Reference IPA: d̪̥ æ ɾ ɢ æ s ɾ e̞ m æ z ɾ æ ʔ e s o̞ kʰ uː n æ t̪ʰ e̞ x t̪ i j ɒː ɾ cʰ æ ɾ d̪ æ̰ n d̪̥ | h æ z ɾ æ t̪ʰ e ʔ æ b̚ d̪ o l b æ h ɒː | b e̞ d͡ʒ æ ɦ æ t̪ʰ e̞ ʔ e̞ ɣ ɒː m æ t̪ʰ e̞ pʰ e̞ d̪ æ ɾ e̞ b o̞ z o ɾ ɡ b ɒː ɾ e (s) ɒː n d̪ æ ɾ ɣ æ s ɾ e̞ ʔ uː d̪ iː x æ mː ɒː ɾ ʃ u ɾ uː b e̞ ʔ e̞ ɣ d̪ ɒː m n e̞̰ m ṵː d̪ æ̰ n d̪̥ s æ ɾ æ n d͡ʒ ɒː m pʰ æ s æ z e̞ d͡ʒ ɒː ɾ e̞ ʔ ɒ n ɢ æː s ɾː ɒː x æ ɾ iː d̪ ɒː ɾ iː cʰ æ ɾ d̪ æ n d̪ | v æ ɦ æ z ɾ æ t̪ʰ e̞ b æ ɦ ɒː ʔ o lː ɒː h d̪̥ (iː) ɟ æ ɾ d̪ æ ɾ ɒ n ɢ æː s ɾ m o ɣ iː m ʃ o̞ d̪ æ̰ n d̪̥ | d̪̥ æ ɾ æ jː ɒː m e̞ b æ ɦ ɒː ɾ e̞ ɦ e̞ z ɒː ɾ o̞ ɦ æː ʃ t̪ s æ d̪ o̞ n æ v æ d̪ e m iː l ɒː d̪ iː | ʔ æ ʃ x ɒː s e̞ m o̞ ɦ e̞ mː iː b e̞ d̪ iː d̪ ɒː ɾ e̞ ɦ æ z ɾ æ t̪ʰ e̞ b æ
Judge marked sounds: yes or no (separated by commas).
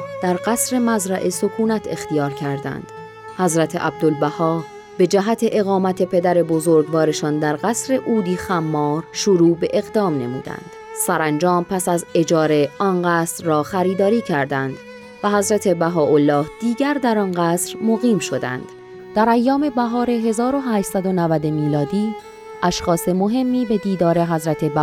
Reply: no, yes